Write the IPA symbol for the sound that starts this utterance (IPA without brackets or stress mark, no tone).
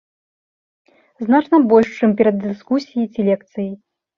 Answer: z